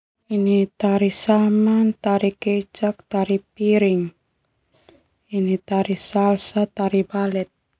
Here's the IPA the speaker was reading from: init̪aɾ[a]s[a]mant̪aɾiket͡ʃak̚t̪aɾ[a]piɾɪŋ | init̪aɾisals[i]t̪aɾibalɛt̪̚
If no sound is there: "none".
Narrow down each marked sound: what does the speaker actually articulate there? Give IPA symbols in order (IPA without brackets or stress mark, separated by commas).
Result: i, a, i, a